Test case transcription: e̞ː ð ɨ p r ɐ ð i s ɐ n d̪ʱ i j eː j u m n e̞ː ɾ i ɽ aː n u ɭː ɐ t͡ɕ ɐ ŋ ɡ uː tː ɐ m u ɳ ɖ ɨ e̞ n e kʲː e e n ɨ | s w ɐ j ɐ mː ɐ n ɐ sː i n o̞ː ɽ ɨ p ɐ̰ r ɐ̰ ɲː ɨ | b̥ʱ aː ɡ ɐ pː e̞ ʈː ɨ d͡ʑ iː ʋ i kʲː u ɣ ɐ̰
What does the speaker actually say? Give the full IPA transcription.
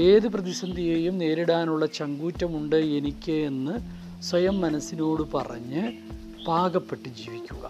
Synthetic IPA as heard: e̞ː ð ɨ p r ɐ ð i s ɐ n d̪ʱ i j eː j u m n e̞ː ɾ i ɽ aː n u ɭː ɐ t͡ɕ ɐ ŋ ɡ uː tː ɐ m u ɳ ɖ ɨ e̞ n i kʲː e e nː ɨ | s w ɐ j ɐ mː ɐ n ɐ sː i n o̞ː ɽ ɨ p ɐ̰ r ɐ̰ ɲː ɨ | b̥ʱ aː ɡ ɐ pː e̞ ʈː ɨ d͡ʑ iː ʋ i kʲː u ɣ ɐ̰